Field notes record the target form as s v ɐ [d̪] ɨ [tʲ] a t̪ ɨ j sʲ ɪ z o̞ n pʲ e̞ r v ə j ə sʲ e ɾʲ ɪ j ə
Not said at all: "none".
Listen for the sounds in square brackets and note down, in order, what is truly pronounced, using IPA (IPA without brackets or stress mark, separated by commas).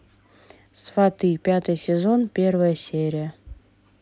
t̪, pʲ